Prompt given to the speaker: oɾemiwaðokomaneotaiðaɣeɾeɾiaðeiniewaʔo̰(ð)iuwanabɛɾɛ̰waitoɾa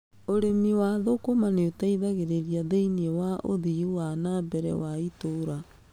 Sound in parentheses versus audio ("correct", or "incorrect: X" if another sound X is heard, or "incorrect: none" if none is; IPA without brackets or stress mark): correct